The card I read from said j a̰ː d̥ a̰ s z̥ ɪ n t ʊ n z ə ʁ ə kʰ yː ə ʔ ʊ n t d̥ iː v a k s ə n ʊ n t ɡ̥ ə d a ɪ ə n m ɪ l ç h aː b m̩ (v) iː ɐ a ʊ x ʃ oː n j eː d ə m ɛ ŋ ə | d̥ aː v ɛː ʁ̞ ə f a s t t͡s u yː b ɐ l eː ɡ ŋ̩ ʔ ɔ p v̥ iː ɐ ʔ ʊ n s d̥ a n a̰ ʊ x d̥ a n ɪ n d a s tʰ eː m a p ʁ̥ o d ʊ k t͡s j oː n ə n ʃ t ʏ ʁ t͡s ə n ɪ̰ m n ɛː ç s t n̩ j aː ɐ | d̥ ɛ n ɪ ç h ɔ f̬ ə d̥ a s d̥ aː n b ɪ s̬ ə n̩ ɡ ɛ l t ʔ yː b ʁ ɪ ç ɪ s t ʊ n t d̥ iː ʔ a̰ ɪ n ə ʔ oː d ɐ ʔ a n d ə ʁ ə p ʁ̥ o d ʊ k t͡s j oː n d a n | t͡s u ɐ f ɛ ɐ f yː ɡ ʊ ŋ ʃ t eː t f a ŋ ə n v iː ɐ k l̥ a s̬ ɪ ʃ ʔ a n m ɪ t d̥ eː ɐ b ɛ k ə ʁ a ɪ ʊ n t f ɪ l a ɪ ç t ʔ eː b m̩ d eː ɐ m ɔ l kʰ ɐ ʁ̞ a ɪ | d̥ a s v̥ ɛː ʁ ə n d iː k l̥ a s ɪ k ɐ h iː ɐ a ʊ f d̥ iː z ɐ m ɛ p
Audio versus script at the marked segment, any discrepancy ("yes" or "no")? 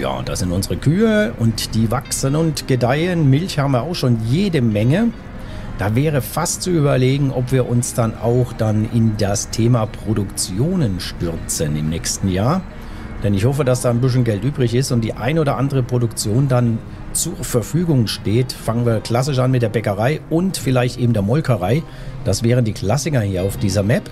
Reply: no